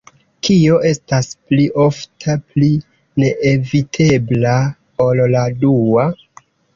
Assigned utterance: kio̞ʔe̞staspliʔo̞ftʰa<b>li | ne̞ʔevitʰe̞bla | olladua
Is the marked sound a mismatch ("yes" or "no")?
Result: yes